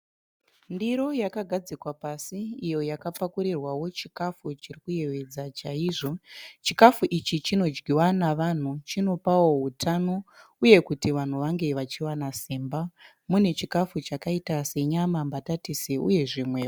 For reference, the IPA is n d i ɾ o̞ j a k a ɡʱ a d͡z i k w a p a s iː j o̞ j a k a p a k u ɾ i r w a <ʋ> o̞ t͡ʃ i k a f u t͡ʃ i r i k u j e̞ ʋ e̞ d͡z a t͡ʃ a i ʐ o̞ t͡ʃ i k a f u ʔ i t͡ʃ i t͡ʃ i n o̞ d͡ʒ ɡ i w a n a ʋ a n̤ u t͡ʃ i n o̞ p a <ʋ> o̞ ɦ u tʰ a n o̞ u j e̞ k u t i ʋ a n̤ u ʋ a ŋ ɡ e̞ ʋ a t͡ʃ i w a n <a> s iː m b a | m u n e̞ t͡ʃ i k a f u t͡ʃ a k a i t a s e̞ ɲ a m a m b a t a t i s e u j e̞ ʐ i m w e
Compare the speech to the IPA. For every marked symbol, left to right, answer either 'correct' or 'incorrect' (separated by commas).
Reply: incorrect, incorrect, correct